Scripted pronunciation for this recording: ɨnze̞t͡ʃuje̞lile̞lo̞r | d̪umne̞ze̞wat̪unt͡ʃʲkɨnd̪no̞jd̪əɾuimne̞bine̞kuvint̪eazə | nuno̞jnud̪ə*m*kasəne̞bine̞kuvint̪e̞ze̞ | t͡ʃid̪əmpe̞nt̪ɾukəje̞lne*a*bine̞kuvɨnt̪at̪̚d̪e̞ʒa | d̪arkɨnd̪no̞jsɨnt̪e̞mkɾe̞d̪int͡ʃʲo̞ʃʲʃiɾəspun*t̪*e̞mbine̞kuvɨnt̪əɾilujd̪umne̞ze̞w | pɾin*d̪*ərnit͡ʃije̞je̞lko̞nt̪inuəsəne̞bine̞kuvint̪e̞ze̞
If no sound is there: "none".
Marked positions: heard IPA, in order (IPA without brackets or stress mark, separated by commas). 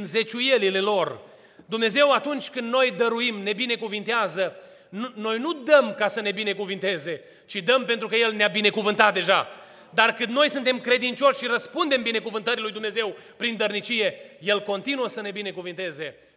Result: m, a, d̪, d̪